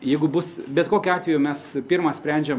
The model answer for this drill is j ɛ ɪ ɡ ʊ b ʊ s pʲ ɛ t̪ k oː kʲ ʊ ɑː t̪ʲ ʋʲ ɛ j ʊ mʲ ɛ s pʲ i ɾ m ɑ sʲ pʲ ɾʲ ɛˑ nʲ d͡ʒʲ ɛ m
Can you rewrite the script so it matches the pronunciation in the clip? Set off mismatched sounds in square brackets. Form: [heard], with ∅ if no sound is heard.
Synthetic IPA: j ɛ ɪ ɡ ʊ b ʊ s [bʲ] ɛ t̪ k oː kʲ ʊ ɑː t̪ʲ ʋʲ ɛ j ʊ mʲ ɛ s pʲ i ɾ m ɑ sʲ pʲ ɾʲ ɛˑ nʲ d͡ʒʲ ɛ m